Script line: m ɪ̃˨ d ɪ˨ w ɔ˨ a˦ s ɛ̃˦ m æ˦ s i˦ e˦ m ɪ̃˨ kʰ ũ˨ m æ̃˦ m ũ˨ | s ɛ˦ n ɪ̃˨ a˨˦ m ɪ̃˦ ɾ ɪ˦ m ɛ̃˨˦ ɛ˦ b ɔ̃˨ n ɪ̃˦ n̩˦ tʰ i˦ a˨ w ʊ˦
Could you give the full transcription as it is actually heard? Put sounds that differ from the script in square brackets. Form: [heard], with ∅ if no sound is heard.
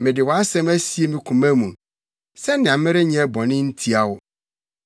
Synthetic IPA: m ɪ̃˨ d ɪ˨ w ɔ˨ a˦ s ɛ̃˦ m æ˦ s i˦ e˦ m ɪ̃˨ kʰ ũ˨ m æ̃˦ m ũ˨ | s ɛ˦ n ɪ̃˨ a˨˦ m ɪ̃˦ ɾ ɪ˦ [ɲ] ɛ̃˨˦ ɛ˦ b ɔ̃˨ n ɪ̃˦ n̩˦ tʰ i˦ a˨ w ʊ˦